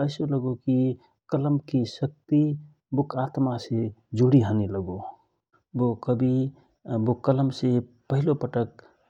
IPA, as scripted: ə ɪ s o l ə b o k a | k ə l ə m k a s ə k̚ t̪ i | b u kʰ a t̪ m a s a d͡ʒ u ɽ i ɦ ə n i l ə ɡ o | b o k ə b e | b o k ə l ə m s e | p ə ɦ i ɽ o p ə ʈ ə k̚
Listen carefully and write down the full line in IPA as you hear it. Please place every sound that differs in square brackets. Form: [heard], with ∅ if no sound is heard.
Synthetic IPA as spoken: ə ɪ s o l ə [ɡ] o k [i] | k ə l ə m k [i] s ə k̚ t̪ i | b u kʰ a t̪ m a s [e] d͡ʒ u ɽ i ɦ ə n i l ə ɡ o | b o k ə b [i] | b o k ə l ə m s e | p ə ɦ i [l] o p ə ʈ ə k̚